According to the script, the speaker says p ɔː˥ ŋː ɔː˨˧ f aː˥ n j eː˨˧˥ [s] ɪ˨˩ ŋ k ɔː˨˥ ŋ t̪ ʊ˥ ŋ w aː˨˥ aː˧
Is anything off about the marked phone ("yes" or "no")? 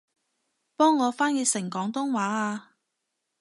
no